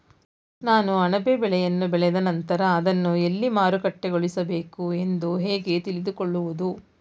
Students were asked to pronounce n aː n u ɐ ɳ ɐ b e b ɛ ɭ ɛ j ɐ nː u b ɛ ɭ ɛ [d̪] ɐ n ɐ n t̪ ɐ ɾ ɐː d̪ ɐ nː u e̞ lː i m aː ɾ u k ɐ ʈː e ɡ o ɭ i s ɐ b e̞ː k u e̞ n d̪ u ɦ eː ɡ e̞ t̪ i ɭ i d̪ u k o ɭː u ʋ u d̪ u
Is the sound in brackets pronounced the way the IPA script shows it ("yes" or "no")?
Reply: yes